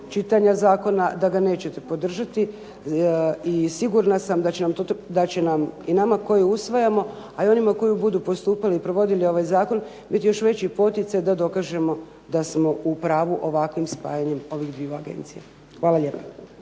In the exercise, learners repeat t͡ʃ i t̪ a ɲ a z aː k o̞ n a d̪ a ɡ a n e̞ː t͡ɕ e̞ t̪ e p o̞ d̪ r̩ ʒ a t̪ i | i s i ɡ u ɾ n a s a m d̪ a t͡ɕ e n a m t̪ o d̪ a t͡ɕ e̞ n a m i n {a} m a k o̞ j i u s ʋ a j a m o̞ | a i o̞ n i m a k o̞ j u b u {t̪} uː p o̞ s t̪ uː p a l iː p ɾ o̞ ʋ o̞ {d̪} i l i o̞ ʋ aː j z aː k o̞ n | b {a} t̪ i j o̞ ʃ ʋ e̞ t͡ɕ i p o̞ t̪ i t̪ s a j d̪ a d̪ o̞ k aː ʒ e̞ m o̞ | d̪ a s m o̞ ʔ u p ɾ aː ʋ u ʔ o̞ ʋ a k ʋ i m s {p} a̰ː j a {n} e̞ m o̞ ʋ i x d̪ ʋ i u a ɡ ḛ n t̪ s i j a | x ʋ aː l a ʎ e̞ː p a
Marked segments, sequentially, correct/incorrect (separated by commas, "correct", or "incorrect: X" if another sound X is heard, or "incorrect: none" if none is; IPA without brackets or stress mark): correct, incorrect: d̪, correct, incorrect: i, correct, incorrect: ɲ